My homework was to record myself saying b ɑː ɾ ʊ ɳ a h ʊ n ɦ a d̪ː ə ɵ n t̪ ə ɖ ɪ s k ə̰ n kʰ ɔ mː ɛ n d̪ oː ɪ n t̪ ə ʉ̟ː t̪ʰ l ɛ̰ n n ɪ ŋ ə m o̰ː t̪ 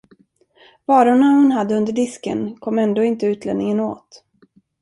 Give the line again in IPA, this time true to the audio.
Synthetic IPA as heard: v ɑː ɾ ʊ ɳ a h ʊ n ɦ a d̪ː ə ɵ n d̪ ə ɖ ɪ s k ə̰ n kʰ ɔ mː ɛ n d̪ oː ɪ n t̪ ə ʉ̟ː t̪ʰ l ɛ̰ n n ɪ ŋ ə n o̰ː t̪